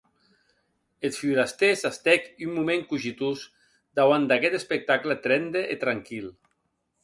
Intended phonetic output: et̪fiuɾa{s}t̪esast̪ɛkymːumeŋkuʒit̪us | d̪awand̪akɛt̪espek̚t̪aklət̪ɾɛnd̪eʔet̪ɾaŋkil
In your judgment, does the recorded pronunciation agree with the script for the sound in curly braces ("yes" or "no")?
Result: yes